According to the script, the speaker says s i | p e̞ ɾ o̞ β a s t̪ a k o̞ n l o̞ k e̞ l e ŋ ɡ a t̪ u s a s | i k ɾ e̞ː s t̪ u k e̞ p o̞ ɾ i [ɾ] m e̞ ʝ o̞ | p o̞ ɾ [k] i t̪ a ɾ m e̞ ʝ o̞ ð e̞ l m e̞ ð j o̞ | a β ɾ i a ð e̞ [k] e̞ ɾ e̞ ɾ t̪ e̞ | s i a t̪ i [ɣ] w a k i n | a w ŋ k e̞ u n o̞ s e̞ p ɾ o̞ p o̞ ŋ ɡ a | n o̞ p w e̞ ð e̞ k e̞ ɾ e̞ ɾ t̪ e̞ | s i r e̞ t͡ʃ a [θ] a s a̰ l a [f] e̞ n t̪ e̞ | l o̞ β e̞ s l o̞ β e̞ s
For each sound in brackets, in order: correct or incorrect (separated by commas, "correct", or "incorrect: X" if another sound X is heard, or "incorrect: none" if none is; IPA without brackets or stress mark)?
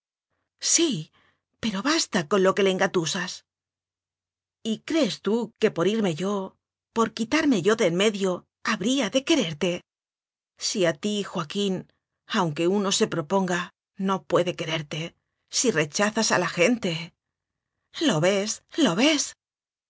correct, correct, correct, incorrect: x, correct, incorrect: x